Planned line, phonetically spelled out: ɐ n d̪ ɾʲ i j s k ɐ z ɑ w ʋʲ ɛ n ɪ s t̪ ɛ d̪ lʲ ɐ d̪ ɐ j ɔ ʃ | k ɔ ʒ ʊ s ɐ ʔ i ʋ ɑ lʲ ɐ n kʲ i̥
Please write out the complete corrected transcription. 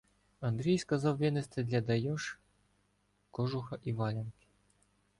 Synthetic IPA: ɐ n d̪ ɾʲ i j s k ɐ z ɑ w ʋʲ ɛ n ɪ s t̪ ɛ d̪ lʲ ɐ d̪ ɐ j ɔ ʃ | k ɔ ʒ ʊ x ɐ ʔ i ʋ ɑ lʲ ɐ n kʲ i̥